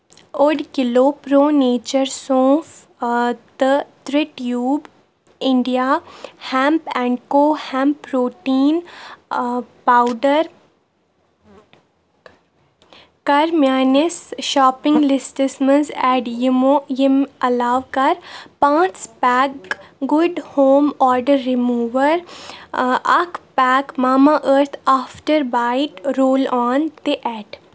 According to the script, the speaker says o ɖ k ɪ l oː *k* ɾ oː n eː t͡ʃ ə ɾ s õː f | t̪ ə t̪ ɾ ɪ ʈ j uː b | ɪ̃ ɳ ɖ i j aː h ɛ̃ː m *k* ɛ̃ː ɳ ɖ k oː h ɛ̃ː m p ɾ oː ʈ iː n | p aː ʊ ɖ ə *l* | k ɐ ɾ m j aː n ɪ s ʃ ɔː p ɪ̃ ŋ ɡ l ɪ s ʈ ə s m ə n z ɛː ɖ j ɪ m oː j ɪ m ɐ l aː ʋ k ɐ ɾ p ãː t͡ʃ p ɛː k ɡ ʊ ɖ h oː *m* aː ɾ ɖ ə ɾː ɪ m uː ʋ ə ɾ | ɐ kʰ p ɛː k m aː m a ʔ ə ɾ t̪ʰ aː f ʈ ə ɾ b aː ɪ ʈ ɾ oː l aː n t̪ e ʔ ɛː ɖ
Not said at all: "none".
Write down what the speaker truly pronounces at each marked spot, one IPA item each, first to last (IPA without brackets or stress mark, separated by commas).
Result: p, p, ɾ, m